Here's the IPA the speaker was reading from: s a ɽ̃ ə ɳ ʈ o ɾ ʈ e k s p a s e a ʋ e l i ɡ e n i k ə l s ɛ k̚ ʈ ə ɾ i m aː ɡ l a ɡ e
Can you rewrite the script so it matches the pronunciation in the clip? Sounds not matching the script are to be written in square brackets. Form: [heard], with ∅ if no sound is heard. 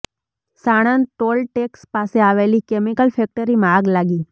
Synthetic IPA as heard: s a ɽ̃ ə [n] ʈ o [l] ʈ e k s p a s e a ʋ e l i [k] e [m] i k ə l [f] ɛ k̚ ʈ ə ɾ i m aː ɡ l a ɡ [i]